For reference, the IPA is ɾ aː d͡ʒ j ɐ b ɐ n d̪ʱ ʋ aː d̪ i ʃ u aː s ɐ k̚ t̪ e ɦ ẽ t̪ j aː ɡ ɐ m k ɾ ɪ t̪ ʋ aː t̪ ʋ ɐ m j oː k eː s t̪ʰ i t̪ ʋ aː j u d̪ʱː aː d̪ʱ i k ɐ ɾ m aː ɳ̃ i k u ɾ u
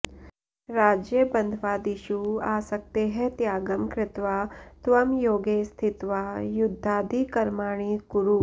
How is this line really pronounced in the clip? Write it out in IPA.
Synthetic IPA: ɾ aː d͡ʒ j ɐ b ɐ n d̪ʱ ʋ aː d̪ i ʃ u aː s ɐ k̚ t̪ e ɦ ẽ t̪ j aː ɡ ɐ m k ɾ ɪ t̪ ʋ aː t̪ ʋ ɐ m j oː ɡ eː s t̪ʰ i t̪ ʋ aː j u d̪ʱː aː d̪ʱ i k ɐ ɾ m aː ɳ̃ i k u ɾ u